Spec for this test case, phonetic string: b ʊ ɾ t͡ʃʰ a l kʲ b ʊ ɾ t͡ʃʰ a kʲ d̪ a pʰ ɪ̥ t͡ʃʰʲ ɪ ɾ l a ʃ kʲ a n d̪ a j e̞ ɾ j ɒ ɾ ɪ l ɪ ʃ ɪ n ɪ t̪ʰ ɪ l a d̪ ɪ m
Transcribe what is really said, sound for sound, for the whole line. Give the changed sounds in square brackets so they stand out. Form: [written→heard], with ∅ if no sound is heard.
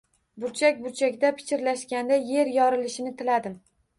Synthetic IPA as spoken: b ʊ ɾ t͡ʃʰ a [l→∅] kʲ b ʊ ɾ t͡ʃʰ a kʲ d̪ a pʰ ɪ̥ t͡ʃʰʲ ɪ ɾ l a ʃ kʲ a n d̪ a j e̞ ɾ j ɒ ɾ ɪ l ɪ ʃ ɪ n ɪ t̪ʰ ɪ l a d̪ ɪ m